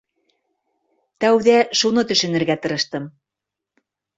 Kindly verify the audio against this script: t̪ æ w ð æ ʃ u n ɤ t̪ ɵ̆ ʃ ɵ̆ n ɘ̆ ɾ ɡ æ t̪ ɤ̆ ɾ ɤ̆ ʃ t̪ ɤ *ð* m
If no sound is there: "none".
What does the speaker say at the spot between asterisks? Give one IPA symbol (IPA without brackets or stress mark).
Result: none